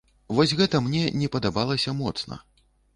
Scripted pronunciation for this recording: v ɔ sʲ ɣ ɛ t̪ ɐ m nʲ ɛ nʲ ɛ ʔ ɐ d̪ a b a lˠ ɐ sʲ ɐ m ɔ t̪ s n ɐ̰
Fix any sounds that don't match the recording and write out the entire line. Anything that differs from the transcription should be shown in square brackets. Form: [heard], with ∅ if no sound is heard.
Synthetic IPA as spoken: v ɔ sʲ ɣ ɛ t̪ ɐ m nʲ ɛ nʲ ɛ [p] ɐ d̪ a b a lˠ ɐ sʲ ɐ m ɔ t̪ s n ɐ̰